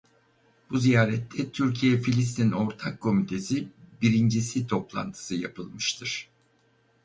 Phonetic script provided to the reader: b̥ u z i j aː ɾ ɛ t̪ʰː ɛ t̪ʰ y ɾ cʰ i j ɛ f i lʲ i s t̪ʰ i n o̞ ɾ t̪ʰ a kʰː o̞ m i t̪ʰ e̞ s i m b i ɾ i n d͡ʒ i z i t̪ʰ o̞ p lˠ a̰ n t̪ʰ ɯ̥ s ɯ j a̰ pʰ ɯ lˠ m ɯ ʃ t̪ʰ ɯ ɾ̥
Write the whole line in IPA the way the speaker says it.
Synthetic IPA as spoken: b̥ u z i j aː ɾ ɛ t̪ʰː ɛ t̪ʰ y ɾ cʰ i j ɛ f i lʲ i s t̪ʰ i n o̞ ɾ t̪ʰ a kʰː o̞ m i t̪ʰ e̞ s i b i ɾ i n d͡ʒ i s i t̪ʰ o̞ p lˠ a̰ n t̪ʰ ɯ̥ s ɯ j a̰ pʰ ɯ lˠ m ɯ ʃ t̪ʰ ɯ ɾ̥